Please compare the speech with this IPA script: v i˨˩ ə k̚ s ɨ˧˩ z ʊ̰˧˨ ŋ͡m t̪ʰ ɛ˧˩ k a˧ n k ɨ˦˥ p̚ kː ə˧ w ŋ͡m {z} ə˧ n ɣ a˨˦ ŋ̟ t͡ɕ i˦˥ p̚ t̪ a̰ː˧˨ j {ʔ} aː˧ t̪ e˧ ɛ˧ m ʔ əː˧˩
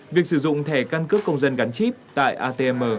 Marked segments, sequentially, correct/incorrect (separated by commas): correct, correct